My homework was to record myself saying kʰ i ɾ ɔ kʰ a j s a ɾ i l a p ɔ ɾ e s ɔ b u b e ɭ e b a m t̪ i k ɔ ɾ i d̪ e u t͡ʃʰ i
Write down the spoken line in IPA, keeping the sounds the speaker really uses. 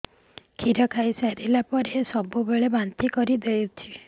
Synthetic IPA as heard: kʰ i ɾ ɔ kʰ a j s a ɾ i l a p ɔ ɾ e s ɔ b u b e ɭ e b a n t̪ i k ɔ ɾ i d̪ e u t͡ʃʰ i